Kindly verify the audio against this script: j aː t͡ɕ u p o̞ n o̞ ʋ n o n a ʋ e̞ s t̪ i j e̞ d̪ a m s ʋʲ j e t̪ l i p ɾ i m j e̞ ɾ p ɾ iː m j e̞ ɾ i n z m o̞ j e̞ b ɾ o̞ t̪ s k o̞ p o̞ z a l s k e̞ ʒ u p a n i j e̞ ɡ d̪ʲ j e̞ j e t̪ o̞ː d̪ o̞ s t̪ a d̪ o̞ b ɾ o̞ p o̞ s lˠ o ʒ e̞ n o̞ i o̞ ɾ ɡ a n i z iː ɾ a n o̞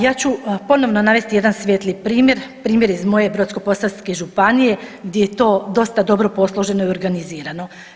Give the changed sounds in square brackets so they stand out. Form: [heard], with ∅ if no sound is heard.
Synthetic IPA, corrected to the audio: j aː t͡ɕ u p o̞ n o̞ ʋ n o n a ʋ e̞ s t̪ i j e̞ d̪ a [n] s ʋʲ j e t̪ l i p ɾ [iː] m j e̞ ɾ p ɾ iː m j e̞ ɾ i [∅] z m o̞ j e̞ b ɾ o̞ t̪ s k o̞ p o̞ [s] a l s k e̞ ʒ u p a n i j e̞ ɡ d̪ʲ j e̞ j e t̪ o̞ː d̪ o̞ s t̪ a d̪ o̞ b ɾ o̞ p o̞ s lˠ o ʒ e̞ n o̞ i o̞ ɾ ɡ a n i z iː ɾ a n o̞

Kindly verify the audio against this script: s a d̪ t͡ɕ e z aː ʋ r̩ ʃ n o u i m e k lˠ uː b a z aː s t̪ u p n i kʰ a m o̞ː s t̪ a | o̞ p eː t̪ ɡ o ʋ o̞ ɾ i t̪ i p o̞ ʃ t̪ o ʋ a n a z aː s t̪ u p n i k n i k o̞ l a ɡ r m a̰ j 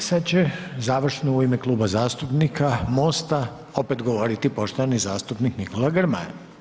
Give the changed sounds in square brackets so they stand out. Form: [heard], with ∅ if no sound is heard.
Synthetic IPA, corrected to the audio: s a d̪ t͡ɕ e z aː ʋ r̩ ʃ n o u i m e k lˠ uː b a z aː s t̪ u p n i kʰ a m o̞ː s t̪ a | o̞ p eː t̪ ɡ o ʋ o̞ ɾ i t̪ i p o̞ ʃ t̪ o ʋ a n [i] z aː s t̪ u p n i k n i k o̞ l a ɡ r m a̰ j

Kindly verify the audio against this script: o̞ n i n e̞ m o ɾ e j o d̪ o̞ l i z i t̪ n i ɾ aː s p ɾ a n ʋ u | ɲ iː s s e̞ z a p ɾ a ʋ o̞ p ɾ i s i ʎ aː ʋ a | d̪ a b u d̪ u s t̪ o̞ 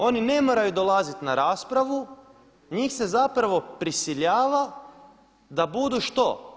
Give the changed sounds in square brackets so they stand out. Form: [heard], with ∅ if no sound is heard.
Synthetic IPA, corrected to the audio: o̞ n i n e̞ m o ɾ [a] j [u] d̪ o̞ l [a] z i t̪ n [a] ɾ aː s p ɾ a [∅] ʋ u | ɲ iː [x] s e̞ z a p ɾ a ʋ o̞ p ɾ i s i ʎ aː ʋ a | d̪ a b u d̪ u [ʃ] t̪ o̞

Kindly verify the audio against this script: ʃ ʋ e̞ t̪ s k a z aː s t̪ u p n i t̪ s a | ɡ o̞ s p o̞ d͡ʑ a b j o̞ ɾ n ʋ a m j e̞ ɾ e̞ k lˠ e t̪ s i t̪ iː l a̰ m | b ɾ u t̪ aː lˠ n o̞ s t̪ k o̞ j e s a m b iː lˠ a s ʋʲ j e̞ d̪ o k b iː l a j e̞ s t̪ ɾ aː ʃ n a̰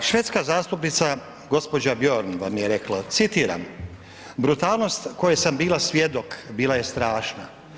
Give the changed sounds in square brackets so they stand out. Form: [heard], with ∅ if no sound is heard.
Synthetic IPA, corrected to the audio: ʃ ʋ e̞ t̪ s k a z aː s t̪ u p n i t̪ s a | ɡ o̞ s p o̞ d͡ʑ a b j o̞ ɾ n ʋ a m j e̞ ɾ e̞ k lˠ [a] t̪ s i t̪ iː [ɾ] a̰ m | b ɾ u t̪ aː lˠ n o̞ s t̪ k o̞ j e s a m b iː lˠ a s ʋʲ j e̞ d̪ o k b iː l a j e̞ s t̪ ɾ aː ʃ n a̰

